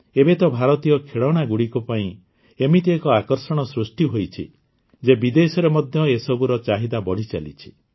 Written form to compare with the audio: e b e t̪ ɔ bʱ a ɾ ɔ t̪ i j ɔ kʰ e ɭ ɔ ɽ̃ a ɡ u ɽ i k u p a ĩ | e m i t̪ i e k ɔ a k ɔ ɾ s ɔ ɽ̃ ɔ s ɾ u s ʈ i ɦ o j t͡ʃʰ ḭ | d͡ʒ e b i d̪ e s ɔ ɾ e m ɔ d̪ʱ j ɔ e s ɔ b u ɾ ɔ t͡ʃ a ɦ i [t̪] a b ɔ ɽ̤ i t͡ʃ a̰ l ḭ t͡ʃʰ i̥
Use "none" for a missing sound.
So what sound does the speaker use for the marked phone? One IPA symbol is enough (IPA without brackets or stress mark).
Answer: d̪